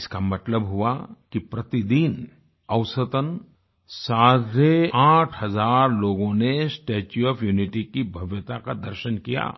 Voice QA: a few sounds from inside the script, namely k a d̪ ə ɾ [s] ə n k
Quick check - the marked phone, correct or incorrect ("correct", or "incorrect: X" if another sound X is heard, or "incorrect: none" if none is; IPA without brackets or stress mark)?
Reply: incorrect: ʃ